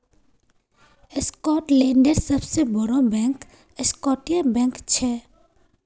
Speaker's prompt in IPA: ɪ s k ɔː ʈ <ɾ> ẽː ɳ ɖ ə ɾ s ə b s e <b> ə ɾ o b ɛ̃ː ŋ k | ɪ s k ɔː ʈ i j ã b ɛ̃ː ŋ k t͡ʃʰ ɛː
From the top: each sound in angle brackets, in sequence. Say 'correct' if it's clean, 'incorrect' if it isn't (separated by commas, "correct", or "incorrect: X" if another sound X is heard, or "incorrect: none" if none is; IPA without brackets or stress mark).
incorrect: l, correct